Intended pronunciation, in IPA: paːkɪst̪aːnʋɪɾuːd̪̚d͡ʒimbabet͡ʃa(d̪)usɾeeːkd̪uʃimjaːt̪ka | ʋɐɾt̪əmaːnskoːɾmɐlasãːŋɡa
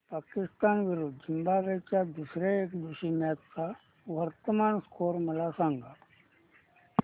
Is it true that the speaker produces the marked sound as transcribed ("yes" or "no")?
yes